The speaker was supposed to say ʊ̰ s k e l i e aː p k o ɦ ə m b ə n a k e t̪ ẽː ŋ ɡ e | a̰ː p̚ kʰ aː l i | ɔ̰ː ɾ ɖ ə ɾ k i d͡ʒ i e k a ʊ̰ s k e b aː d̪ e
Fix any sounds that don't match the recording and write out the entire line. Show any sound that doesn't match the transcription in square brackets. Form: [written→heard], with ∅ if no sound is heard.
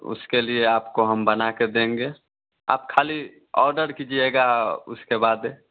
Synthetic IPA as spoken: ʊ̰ s k e l i e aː p k o ɦ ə m b ə n a k e [t̪→d̪] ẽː ŋ ɡ e | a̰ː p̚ kʰ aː l i | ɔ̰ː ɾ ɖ ə ɾ k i d͡ʒ i e [k→ɡ] a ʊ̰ s k e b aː d̪ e

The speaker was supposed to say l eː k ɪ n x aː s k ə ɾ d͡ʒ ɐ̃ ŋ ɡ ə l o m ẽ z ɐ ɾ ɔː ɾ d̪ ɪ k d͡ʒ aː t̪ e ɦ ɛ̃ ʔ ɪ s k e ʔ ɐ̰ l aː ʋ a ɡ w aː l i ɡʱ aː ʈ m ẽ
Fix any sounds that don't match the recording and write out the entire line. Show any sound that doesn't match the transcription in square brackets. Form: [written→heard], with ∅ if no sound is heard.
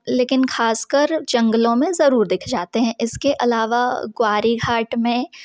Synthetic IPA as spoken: l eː k ɪ n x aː s k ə ɾ d͡ʒ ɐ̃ ŋ ɡ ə l [o→õ] m ẽ z ɐ ɾ [ɔː→uː] ɾ d̪ ɪ [k→kʰ] d͡ʒ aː t̪ e ɦ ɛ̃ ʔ ɪ s k e ʔ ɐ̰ l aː ʋ a ɡ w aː [l→ɾ] i ɡʱ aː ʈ m ẽ

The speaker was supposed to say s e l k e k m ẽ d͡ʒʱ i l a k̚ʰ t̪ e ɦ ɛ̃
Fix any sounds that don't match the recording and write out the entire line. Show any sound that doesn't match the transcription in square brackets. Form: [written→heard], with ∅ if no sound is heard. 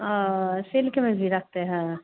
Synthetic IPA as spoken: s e l k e [k→∅] m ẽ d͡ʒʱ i [l→ɾ] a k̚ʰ t̪ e ɦ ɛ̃

